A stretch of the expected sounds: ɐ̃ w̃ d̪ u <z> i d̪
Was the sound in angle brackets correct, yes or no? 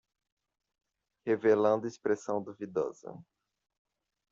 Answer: no